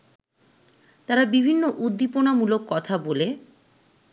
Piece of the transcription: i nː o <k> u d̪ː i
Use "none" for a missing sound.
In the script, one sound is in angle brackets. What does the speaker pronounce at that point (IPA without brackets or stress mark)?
ʔ